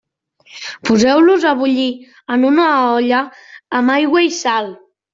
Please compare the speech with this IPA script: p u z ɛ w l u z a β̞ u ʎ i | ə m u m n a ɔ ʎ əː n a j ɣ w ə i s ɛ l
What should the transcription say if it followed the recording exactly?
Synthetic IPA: p u z ɛ w l u z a β̞ u ʎ i | ə n u n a ɔ ʎ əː m a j ɣ w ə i s a l